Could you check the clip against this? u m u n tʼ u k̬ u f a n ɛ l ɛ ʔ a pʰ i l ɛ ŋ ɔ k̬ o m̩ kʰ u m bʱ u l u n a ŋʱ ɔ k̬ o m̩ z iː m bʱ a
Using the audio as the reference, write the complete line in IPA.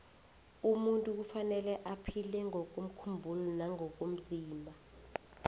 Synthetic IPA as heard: u m u n tʼ u k̬ u f a n ɛ l ɛ ʔ a pʰ i l ɛ ŋ ɔ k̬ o m̩ kʰ u m bʱ u l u n a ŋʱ ɔ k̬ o m̩ z iː m bʱ a